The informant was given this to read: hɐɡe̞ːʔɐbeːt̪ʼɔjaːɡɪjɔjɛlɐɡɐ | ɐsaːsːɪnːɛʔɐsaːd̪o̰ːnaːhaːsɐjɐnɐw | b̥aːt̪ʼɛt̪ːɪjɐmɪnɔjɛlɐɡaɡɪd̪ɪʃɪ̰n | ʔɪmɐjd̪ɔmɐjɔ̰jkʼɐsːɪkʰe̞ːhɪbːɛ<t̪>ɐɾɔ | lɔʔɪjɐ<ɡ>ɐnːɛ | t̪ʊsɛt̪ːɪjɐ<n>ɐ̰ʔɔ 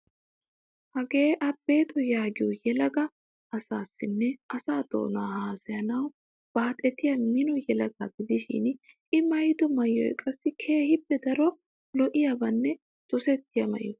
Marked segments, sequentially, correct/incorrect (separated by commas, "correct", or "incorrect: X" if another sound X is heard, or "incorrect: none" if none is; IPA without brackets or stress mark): incorrect: d̪, incorrect: b, incorrect: m